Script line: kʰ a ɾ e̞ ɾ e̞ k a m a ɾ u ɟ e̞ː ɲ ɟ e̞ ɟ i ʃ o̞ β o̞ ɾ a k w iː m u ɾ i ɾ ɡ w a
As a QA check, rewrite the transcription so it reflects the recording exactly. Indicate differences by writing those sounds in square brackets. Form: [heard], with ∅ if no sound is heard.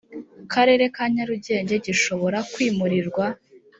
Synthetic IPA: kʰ a ɾ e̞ ɾ e̞ k a [ɲ] a ɾ u ɟ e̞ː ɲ ɟ e̞ ɟ i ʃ o̞ β o̞ ɾ a k w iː m u ɾ i ɾ ɡ w a